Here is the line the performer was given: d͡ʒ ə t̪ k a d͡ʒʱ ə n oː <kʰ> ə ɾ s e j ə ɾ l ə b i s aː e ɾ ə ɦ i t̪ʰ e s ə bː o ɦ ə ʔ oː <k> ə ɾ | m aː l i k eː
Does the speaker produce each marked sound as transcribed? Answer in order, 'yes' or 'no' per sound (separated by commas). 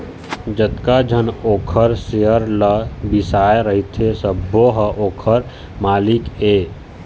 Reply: yes, no